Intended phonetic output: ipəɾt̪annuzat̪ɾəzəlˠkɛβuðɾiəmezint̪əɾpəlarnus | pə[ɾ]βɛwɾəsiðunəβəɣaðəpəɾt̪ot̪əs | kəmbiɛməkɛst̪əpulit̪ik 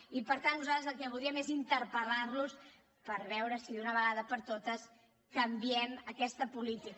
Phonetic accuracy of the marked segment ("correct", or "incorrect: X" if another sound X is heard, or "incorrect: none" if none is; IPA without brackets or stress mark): correct